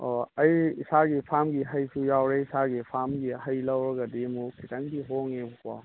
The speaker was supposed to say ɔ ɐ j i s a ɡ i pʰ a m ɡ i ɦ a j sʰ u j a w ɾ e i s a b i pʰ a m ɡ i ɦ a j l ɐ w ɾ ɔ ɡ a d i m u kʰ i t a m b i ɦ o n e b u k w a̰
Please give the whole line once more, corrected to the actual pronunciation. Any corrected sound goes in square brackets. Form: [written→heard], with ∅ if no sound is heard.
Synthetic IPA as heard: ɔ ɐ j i s a ɡ i pʰ a m ɡ i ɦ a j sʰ u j a w ɾ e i s a [b→ɡ] i pʰ a m ɡ i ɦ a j l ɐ w ɾ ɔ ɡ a d i m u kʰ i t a [m→ŋ] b i ɦ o [n→ŋ] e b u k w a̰